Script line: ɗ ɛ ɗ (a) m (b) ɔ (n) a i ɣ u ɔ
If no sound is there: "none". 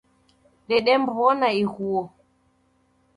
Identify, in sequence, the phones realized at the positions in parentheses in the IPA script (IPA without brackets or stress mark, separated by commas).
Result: ɛ, b, n